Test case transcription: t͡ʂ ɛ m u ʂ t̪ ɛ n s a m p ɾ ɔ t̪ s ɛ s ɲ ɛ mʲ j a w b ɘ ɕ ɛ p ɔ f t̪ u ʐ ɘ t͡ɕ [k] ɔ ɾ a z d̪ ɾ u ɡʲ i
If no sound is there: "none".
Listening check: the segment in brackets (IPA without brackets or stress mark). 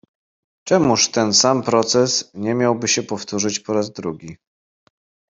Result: p